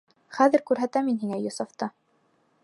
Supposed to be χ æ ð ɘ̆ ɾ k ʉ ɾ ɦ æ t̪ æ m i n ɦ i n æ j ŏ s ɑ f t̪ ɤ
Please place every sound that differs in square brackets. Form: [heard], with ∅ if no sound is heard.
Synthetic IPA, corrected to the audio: χ æ ð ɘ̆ ɾ k ʉ ɾ ɦ æ t̪ æ m i n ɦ i [ŋ] æ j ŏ s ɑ f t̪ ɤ